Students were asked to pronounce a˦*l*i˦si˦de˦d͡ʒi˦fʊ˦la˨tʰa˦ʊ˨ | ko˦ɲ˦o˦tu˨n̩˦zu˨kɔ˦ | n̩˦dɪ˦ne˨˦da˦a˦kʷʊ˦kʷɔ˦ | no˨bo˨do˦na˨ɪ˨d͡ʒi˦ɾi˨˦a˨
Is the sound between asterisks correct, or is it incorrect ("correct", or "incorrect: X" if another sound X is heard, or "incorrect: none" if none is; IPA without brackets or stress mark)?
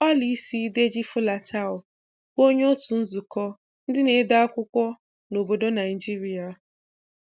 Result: correct